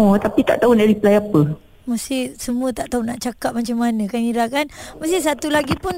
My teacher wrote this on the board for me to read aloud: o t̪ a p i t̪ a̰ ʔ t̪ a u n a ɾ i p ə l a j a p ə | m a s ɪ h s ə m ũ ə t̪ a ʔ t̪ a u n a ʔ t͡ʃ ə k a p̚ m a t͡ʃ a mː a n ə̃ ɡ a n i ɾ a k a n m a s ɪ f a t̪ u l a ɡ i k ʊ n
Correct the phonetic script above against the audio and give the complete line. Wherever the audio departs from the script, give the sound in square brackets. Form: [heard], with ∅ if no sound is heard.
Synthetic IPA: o t̪ a p i t̪ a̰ ʔ t̪ a u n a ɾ i p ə l a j a p ə | m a s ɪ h s ə m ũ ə t̪ a ʔ t̪ a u n a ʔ t͡ʃ [a] k a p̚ m a t͡ʃ a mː a n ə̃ [k] a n i ɾ a k a n m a s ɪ [s] a t̪ u l a ɡ i [p] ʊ n